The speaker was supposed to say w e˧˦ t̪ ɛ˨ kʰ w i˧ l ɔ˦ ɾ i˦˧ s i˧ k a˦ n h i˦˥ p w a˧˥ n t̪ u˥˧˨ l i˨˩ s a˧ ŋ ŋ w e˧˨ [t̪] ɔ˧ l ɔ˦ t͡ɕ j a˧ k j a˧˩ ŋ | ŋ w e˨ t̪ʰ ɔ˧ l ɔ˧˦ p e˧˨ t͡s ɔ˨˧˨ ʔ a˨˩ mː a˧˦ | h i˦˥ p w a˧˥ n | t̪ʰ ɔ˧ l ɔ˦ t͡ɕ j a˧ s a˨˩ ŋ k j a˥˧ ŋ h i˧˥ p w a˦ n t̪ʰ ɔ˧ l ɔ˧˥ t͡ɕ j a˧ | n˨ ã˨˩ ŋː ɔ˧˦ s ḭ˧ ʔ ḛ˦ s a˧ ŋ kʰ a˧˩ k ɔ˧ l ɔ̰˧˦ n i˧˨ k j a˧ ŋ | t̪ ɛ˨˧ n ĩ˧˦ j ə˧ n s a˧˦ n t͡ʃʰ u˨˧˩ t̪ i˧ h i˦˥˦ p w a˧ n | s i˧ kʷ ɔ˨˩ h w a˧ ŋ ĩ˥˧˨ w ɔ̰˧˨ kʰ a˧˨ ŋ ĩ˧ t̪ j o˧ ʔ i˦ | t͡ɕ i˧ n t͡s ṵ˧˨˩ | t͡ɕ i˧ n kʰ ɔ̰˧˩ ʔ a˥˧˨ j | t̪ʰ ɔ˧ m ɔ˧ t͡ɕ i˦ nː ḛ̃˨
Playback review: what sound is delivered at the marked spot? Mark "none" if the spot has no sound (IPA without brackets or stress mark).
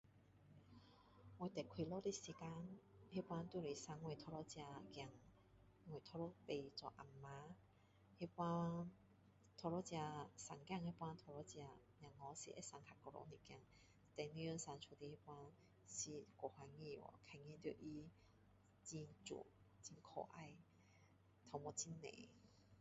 t̪ʰ